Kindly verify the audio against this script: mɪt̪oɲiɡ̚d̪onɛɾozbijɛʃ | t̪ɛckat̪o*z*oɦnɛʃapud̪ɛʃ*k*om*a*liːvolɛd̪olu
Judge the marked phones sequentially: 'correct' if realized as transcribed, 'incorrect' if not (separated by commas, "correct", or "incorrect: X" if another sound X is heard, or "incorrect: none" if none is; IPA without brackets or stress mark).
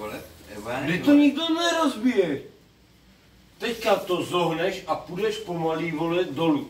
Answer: correct, incorrect: p, correct